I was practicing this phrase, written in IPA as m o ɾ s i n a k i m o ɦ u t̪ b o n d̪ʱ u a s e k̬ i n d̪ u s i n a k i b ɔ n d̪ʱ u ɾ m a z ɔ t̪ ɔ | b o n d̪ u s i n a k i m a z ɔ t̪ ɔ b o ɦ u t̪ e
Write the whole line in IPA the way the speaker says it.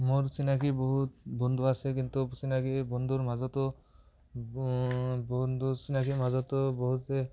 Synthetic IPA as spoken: m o ɾ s i n a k i b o ɦ u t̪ b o n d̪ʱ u a s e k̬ i n t̪ u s i n a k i b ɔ n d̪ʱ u ɾ m a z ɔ t̪ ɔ | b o n d̪ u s i n a k i m a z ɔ t̪ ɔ b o ɦ u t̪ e